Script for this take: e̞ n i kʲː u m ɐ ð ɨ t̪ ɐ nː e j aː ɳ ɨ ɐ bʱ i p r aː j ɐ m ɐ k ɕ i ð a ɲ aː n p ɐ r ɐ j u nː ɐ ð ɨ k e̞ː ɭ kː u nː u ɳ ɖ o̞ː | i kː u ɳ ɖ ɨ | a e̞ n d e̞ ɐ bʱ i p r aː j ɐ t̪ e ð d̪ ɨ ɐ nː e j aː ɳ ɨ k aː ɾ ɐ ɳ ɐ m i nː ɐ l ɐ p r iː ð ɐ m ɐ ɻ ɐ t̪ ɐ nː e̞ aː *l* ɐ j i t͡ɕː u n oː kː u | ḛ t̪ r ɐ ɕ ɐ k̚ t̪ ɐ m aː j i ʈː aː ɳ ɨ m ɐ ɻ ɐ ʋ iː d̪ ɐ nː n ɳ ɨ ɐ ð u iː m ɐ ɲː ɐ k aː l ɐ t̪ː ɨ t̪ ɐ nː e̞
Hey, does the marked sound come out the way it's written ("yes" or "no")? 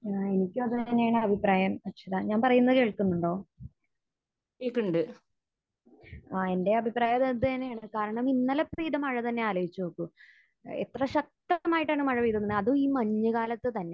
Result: yes